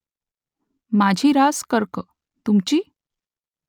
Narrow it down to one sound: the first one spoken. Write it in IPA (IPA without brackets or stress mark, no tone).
m